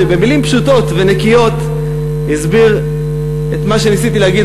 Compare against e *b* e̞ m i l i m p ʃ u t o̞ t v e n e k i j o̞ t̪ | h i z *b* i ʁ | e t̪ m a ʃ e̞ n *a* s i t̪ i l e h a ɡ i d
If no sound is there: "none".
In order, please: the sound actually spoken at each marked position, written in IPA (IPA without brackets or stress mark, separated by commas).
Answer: b, b, i